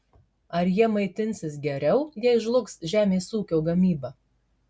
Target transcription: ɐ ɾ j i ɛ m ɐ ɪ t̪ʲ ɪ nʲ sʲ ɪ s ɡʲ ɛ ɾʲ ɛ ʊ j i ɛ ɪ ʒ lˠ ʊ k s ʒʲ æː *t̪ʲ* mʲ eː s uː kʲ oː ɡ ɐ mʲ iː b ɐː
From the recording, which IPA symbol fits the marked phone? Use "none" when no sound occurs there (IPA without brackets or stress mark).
none